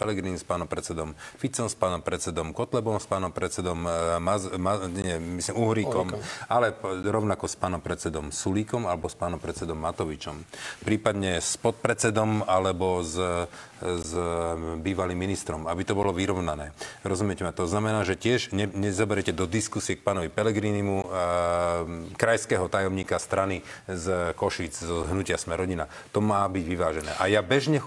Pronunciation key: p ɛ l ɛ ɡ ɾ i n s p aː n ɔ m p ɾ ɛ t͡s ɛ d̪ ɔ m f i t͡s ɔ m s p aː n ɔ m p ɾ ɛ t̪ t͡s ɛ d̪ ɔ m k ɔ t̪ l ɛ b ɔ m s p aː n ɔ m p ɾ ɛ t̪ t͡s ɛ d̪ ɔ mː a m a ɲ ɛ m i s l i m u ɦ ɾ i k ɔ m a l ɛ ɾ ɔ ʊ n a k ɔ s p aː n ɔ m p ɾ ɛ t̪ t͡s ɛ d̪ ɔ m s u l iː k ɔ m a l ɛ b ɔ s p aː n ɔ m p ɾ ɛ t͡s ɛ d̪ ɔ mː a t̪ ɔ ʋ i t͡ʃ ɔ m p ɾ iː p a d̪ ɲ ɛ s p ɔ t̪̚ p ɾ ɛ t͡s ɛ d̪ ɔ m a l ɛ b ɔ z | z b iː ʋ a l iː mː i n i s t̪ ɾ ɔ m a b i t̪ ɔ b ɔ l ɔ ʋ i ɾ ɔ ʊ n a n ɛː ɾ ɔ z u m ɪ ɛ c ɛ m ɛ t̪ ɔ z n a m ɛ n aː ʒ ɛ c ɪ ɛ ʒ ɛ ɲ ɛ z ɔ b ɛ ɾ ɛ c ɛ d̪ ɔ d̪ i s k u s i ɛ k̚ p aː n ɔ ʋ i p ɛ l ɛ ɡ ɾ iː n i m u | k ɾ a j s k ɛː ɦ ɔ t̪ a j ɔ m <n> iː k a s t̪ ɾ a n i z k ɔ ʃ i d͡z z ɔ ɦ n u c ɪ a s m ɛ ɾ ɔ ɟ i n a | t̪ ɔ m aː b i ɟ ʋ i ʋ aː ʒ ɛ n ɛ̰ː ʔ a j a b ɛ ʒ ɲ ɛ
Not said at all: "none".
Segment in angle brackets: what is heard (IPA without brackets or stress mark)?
ɲ